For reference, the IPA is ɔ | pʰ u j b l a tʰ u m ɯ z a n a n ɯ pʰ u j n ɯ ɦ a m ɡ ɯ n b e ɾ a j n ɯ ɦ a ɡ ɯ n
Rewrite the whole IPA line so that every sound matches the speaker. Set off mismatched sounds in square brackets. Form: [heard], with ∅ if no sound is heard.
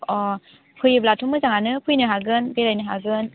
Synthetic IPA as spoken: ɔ | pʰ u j b l a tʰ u m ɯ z a [ŋ] a n ɯ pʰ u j n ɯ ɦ a [∅] ɡ ɯ n b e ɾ a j n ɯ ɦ a ɡ ɯ n